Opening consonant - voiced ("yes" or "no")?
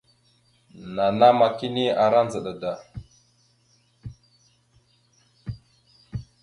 yes